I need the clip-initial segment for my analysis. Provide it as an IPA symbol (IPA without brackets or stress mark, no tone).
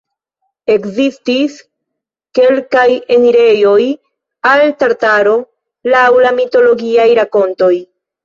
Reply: e̞